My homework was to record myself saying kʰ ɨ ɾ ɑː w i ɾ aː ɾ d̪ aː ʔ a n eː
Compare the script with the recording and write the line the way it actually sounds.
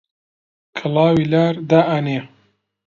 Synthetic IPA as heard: kʰ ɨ l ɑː w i l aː ɾ d̪ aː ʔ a n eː